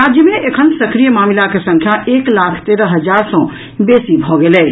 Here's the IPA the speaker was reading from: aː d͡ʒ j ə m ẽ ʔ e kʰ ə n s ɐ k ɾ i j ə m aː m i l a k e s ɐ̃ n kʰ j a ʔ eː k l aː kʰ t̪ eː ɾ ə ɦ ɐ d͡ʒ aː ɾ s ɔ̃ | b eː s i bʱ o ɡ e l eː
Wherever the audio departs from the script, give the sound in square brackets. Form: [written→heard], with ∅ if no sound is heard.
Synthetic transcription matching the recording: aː d͡ʒ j ə m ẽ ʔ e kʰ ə n s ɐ k ɾ i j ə m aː m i l a k e s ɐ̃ [n→ŋ] kʰ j a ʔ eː k l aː kʰ t̪ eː ɾ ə ɦ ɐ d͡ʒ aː ɾ s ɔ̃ | b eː s i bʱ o ɡ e l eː